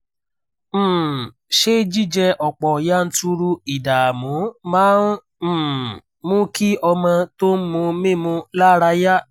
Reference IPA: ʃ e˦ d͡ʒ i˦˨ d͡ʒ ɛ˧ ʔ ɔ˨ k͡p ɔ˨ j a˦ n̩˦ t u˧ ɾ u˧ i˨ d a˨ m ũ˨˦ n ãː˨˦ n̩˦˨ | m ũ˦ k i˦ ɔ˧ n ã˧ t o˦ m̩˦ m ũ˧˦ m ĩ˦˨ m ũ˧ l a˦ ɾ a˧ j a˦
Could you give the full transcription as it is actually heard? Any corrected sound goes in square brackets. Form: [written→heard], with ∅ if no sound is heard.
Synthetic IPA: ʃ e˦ d͡ʒ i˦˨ d͡ʒ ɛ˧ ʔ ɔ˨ k͡p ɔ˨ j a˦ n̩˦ t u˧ ɾ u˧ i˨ d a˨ m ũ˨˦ [n→m] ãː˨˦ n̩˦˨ | m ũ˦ k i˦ ɔ˧ [n→m] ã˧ t o˦ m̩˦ m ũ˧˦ m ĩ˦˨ m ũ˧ l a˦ ɾ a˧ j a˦